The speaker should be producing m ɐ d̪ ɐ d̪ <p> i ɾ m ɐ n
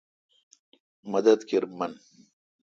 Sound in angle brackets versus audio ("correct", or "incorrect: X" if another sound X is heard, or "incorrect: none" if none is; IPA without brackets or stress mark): incorrect: k